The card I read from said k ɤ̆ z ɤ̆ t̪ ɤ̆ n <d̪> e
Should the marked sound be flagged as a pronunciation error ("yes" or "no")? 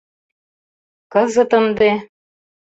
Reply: no